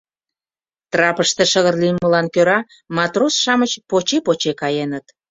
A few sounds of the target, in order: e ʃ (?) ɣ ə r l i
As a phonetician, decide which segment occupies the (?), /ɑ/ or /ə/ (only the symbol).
ə